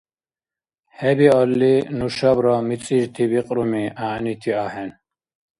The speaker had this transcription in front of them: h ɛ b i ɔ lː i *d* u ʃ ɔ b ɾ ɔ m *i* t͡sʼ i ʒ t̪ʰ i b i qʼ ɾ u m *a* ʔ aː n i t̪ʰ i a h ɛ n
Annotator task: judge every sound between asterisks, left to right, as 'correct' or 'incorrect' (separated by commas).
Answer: incorrect, correct, incorrect